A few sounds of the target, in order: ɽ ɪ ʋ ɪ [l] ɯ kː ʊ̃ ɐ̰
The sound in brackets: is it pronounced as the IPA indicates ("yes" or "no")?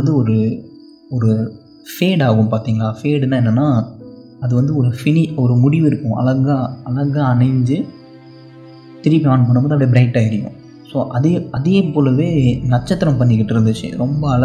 no